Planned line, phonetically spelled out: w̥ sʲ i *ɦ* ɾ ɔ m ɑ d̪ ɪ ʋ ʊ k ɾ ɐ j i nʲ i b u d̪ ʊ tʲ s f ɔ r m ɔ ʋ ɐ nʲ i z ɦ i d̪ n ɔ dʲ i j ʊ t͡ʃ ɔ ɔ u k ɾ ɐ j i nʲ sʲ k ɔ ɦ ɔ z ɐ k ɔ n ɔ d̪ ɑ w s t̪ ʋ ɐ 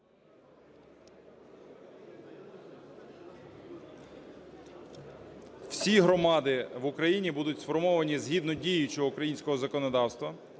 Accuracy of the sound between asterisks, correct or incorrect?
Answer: correct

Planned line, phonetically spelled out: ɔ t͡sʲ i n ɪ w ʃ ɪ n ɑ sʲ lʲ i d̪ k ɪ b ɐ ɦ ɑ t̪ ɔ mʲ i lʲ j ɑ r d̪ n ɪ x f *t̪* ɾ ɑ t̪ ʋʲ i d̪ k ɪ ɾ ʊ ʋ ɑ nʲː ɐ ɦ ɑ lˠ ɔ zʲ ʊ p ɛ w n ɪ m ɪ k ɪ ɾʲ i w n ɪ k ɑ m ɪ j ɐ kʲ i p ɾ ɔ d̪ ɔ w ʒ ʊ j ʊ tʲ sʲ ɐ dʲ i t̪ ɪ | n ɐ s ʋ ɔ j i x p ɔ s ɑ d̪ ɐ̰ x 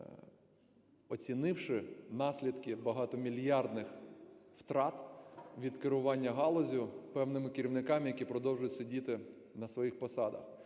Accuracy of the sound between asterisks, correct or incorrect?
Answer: correct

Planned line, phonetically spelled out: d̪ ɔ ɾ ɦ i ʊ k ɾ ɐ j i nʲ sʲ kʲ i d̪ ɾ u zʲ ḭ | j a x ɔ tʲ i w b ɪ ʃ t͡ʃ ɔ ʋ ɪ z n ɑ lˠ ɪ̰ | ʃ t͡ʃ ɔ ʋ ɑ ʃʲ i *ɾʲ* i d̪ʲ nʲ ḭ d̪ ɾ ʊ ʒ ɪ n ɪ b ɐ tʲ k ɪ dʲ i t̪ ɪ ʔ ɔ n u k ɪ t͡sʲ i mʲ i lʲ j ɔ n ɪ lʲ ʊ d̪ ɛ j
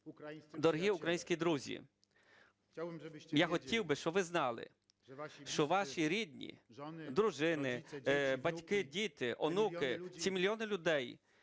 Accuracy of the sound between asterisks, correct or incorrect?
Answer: correct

